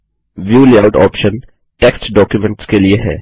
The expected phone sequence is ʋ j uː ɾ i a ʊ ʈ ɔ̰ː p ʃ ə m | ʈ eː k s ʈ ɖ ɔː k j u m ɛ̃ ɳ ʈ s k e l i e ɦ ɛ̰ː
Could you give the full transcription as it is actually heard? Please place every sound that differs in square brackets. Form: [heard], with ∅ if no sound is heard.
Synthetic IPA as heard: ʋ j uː [l] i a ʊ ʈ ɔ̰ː p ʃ ə [n] | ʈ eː k s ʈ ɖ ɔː k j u m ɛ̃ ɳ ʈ s k e l i e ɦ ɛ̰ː